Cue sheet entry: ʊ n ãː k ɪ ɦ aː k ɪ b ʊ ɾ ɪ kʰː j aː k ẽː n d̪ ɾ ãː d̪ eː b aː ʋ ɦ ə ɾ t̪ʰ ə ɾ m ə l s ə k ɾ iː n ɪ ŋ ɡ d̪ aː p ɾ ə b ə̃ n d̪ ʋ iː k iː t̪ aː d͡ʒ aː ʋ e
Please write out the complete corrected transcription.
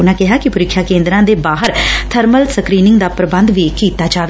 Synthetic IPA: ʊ n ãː k ɪ ɦ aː k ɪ p ʊ ɾ ɪ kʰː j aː k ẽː n d̪ ɾ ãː d̪ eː b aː ɦ ə ɾ t̪ʰ ə ɾ m ə l s ə k ɾ iː n ɪ ŋ ɡ d̪ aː p ɾ ə b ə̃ n d̪ ʋ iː k iː t̪ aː d͡ʒ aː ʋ e